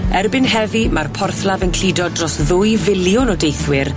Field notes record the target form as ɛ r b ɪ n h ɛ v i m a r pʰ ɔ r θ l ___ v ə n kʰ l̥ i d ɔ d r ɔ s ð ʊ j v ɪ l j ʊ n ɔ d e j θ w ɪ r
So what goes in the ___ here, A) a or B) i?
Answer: A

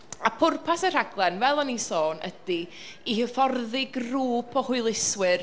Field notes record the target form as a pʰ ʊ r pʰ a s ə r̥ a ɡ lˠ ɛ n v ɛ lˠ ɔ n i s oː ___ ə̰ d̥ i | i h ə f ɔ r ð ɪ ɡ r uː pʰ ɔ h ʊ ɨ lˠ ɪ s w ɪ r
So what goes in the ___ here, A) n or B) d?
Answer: A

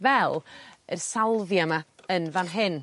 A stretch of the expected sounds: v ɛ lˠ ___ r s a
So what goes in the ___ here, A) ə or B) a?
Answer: A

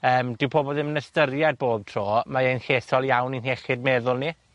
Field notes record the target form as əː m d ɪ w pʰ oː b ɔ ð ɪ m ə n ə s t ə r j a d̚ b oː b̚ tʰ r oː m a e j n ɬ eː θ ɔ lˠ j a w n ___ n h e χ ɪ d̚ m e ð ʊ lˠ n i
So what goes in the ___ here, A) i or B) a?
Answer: A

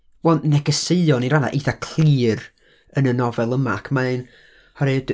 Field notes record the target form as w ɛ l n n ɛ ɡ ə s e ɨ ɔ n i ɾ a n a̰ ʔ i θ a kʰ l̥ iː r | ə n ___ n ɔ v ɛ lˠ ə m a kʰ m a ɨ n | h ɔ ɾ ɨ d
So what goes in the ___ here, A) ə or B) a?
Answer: A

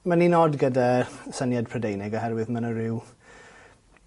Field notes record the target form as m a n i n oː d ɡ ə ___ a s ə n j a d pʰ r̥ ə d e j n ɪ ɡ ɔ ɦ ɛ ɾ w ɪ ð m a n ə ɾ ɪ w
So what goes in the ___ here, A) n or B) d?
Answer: B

